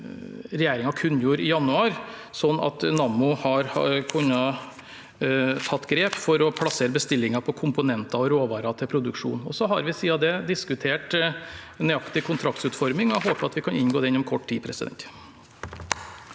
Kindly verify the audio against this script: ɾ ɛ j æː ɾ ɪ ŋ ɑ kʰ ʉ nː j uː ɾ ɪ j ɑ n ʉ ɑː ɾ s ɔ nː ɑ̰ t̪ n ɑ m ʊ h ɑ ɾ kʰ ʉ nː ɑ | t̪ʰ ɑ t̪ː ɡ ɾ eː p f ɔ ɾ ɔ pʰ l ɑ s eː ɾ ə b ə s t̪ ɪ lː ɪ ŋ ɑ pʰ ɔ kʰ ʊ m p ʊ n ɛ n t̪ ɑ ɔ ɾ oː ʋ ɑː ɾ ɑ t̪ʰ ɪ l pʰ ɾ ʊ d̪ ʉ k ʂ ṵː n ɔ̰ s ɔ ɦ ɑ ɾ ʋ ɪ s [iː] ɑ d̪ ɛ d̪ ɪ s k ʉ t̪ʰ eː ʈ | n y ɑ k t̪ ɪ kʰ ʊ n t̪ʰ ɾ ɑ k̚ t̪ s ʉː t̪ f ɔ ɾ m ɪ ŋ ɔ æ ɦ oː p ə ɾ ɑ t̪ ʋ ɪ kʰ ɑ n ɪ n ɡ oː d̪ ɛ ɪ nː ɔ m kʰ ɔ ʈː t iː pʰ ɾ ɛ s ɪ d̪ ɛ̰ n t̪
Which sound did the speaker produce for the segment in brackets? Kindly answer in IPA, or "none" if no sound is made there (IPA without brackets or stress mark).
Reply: iː